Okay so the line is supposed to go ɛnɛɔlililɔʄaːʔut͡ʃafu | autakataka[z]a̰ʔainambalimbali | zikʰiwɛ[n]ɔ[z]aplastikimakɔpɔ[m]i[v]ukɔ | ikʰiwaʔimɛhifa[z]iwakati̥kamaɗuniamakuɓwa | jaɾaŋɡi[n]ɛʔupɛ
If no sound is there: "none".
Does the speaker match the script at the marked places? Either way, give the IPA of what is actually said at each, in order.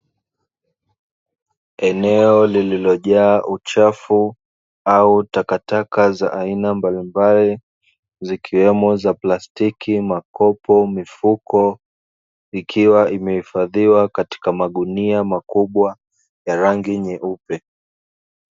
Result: z, m, z, m, f, ð, ɲ

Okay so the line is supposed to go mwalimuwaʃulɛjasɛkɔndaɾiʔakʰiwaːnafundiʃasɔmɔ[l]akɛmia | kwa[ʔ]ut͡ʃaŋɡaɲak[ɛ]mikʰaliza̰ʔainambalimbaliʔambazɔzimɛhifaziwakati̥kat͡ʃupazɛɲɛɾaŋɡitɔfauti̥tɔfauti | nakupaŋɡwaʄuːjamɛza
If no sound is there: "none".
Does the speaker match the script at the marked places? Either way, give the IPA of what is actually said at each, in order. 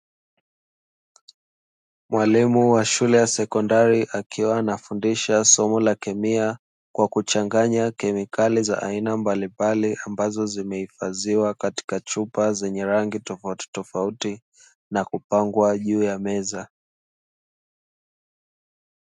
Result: l, k, ɛ

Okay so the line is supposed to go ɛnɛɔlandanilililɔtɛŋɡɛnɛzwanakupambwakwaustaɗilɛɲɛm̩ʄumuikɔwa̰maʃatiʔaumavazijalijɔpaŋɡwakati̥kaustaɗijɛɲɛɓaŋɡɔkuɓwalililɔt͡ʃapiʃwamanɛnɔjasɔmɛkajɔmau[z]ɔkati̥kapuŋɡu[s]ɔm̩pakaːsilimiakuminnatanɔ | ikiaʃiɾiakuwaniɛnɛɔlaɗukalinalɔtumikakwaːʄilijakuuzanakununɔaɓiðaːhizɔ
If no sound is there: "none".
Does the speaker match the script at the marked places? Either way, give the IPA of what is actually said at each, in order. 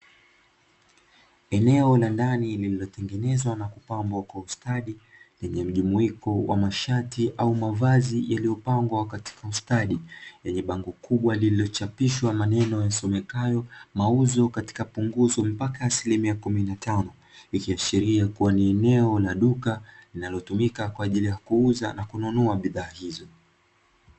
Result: z, z

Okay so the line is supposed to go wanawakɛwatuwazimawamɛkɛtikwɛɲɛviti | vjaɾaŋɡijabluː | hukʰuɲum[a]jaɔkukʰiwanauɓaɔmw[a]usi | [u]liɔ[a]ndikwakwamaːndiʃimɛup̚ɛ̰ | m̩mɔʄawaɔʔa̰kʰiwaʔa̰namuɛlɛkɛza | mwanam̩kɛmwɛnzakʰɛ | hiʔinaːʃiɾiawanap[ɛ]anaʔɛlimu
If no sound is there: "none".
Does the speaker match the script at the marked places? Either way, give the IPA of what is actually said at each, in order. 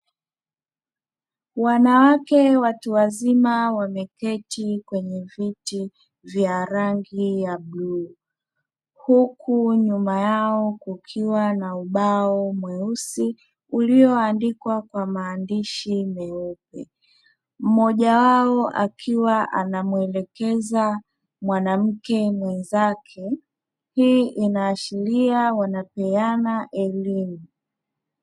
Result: a, ɛ, u, a, ɛ

